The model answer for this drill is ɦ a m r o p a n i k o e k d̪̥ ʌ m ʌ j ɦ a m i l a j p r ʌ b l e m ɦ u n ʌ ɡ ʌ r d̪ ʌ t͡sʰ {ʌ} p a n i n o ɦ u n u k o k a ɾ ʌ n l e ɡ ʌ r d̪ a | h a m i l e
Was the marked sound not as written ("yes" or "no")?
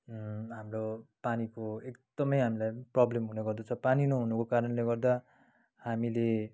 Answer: no